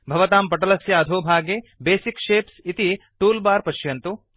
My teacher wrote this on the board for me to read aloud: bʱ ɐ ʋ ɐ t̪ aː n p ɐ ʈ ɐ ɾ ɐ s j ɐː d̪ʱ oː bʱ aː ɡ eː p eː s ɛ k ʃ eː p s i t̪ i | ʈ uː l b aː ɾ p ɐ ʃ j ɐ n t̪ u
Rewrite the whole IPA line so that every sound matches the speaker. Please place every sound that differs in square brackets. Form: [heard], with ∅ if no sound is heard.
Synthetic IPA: bʱ ɐ ʋ ɐ t̪ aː [m] p ɐ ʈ ɐ [l] ɐ s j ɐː d̪ʱ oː bʱ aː ɡ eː [b] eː s [i] k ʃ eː p s i t̪ i | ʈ uː l b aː ɾ p ɐ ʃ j ɐ n t̪ u

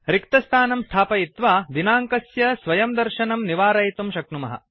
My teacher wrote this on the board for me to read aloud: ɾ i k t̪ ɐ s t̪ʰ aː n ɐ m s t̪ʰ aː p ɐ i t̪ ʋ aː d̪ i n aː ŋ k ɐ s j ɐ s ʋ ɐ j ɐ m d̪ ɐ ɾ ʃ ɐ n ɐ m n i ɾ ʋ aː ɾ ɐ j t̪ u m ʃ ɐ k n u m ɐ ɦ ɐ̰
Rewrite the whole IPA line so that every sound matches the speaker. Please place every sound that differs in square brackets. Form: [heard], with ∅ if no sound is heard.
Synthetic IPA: ɾ i k t̪ ɐ s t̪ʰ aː n ɐ m s t̪ʰ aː p ɐ i t̪ ʋ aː d̪ i n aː ŋ k ɐ s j ɐ s ʋ ɐ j ɐ m d̪ ɐ ɾ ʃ ɐ n ɐ m n i [∅] ʋ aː ɾ ɐ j t̪ u m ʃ ɐ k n u m ɐ ɦ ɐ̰

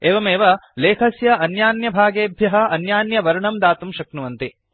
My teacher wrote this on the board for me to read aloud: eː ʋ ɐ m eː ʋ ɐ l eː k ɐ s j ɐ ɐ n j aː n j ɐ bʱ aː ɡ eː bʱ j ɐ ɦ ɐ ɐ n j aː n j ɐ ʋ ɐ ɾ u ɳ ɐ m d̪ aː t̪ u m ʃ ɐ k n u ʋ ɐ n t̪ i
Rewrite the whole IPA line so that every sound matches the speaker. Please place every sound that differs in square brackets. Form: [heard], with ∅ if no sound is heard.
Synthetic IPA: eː ʋ ɐ m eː ʋ ɐ l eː [kʰ] ɐ s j ɐ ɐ n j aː n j ɐ bʱ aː ɡ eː bʱ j ɐ ɦ ɐ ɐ n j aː n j ɐ ʋ ɐ ɾ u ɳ ɐ m d̪ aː t̪ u m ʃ ɐ k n u ʋ ɐ n t̪ i

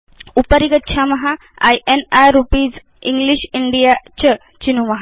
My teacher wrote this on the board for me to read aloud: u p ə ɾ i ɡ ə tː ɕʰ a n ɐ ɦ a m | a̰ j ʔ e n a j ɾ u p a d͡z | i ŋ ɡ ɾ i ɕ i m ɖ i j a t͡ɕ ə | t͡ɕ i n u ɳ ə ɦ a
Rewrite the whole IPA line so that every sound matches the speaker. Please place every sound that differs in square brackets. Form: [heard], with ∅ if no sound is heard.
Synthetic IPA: u p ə ɾ i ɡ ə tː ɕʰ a [m] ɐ ɦ a [∅] | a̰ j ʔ e n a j ɾ u p [i] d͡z | i ŋ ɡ [l] i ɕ i [ɳ] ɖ i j a t͡ɕ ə | t͡ɕ i n u [m] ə ɦ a

